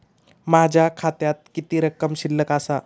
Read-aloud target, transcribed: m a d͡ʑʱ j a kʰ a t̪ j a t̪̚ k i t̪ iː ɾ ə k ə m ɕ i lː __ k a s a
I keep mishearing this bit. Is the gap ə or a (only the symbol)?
ə